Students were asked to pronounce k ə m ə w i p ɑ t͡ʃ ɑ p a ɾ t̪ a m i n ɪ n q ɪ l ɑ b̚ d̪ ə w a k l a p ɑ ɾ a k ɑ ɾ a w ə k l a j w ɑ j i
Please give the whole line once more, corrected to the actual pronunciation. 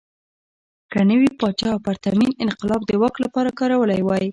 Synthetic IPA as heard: k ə n ə w i p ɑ t͡ʃ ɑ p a ɾ t̪ a m i n ɪ n q ɪ l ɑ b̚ d̪ ə w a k l a p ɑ ɾ a k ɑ ɾ a w ə l a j w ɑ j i